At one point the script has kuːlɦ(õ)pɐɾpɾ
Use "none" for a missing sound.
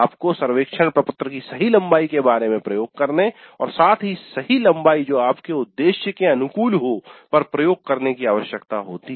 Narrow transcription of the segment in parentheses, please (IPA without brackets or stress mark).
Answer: o